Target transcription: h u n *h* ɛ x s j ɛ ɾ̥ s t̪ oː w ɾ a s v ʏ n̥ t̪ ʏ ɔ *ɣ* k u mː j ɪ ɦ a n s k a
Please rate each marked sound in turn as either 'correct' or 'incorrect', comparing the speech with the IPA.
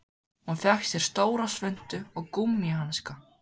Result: incorrect, correct

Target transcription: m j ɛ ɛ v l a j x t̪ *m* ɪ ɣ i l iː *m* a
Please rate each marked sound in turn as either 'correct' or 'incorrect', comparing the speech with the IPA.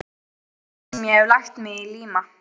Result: correct, correct

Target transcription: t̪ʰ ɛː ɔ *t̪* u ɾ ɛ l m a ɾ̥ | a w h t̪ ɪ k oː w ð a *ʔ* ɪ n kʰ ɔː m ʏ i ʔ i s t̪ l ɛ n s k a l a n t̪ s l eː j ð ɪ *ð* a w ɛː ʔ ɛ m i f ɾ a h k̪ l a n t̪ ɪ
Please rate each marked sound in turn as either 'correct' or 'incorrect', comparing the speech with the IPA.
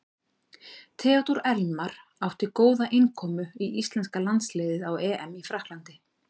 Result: correct, correct, correct

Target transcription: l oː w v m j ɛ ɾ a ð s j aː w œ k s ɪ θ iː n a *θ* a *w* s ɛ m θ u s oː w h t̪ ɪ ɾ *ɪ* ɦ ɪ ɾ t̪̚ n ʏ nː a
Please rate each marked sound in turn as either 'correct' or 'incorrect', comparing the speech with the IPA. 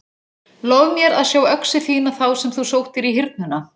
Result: correct, correct, incorrect

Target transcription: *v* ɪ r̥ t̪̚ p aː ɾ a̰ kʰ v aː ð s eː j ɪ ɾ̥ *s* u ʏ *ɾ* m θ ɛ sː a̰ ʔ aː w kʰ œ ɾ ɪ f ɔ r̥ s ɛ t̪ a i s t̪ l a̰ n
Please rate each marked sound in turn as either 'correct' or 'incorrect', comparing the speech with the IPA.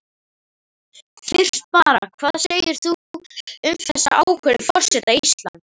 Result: incorrect, incorrect, incorrect

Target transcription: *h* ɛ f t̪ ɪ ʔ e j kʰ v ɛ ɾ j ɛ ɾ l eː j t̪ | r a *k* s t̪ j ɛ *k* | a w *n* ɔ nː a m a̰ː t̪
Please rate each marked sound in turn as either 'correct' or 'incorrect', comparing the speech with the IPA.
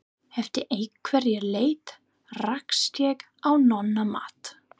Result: correct, correct, correct, correct

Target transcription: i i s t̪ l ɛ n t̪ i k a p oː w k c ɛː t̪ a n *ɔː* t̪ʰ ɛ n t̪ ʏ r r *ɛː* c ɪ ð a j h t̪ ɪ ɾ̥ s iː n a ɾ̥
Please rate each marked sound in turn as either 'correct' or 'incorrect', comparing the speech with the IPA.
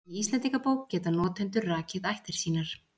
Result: correct, incorrect

